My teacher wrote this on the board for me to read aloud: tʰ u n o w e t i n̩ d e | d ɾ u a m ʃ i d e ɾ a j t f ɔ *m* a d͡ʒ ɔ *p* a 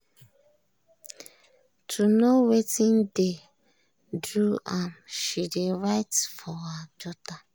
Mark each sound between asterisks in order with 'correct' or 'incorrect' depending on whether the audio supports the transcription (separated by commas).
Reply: incorrect, incorrect